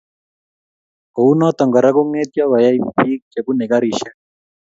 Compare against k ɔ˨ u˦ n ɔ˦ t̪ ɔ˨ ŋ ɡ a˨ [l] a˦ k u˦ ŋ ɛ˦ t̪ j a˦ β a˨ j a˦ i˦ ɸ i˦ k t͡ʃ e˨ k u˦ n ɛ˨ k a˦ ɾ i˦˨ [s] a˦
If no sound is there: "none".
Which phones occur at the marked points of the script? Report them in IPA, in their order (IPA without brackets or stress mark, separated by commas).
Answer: ɾ, ʃ